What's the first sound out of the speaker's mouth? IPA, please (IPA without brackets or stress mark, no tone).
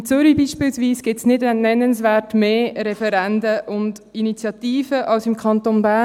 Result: t͡s